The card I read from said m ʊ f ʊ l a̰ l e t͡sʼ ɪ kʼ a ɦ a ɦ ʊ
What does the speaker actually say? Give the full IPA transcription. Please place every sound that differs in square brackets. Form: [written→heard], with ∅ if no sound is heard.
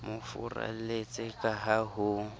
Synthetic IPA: m ʊ f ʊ [l→r] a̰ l e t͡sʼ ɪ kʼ a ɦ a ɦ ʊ